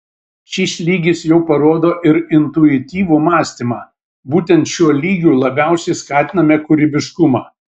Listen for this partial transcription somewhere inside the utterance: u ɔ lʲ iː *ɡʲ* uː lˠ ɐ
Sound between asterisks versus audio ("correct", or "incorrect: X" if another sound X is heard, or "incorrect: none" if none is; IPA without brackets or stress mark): correct